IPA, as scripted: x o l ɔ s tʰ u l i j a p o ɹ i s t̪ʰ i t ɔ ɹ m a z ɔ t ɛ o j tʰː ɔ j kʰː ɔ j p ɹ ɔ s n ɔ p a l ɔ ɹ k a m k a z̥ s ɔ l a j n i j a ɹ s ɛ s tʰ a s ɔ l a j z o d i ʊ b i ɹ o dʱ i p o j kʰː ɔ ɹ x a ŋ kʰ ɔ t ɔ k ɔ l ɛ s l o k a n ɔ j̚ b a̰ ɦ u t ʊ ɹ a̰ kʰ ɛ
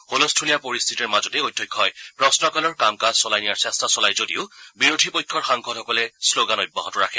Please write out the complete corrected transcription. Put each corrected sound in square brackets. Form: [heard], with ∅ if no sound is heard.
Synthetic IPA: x o l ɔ s tʰ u l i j a p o ɹ i s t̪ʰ i t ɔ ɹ m a z ɔ t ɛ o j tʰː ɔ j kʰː ɔ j p ɹ ɔ s n ɔ [k] a l ɔ ɹ k a m k a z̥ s ɔ l a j n i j a ɹ s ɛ s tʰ a s ɔ l a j z o d i ʊ b i ɹ o dʱ i p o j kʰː ɔ ɹ x a ŋ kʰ ɔ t ɔ k ɔ l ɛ s l o [ɡ] a n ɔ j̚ b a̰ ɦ [ɔ] t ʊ ɹ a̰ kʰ ɛ

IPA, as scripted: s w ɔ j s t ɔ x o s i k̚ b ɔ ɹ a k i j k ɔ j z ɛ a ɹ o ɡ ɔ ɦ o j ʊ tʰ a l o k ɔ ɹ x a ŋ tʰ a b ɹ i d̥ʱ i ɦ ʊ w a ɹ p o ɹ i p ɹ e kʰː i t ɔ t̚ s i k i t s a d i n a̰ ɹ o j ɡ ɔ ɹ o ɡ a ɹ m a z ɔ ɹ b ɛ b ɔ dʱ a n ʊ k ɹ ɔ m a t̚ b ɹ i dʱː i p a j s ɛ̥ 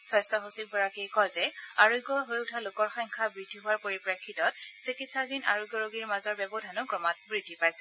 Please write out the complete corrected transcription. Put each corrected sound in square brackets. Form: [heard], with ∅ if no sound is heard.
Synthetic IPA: s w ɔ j s t ɔ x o s i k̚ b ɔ ɹ a k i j k ɔ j z ɛ a ɹ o ɡ ɔ ɦ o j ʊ tʰ a l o k ɔ ɹ x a ŋ [kʰ] a b ɹ i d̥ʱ i ɦ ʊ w a ɹ p o ɹ i p ɹ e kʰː i t ɔ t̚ s i k i t s a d i n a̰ ɹ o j ɡ ɔ ɹ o ɡ [i] ɹ m a z ɔ ɹ b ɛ b ɔ dʱ a n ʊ k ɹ ɔ m a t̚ b ɹ i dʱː i p a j s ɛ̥

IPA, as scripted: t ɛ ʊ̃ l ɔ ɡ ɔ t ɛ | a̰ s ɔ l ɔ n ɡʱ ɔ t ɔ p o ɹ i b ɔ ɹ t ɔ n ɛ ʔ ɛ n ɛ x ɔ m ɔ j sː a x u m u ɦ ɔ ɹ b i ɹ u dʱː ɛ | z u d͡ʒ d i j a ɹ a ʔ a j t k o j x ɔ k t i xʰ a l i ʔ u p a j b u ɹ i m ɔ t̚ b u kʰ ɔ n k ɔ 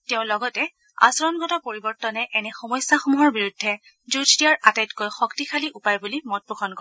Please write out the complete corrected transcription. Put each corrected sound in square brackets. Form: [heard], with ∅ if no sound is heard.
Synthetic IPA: t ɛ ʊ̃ l ɔ ɡ ɔ t ɛ | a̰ s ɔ [ɹ] ɔ n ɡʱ ɔ t ɔ p o ɹ i b ɔ ɹ t ɔ n ɛ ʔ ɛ n ɛ x ɔ m ɔ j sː a x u m u ɦ ɔ ɹ b i ɹ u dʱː ɛ | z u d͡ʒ d i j a ɹ a [t] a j t k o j x ɔ k t i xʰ a l i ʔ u p a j b u [l] i m ɔ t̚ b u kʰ ɔ n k ɔ

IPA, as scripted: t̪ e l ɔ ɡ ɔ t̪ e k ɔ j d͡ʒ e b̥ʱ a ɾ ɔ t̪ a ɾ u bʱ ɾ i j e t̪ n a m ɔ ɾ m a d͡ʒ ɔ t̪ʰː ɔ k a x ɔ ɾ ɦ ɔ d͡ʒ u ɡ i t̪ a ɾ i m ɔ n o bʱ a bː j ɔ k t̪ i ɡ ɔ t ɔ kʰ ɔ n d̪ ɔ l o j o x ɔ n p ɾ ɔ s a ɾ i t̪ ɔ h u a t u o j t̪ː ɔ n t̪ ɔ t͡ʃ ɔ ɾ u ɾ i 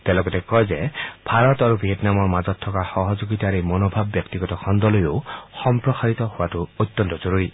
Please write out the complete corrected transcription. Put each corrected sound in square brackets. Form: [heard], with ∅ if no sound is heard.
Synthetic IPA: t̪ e l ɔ ɡ ɔ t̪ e k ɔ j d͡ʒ e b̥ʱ a ɾ ɔ t̪ a ɾ u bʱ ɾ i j e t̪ n a m ɔ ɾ m a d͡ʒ ɔ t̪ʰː ɔ k a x ɔ [∅] ɦ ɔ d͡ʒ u ɡ i t̪ a ɾ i m ɔ n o bʱ a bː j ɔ k t̪ i ɡ ɔ t ɔ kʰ ɔ n d̪ ɔ l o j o x ɔ [m] p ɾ ɔ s a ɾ i t̪ ɔ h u a t u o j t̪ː ɔ n t̪ ɔ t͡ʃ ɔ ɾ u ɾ i

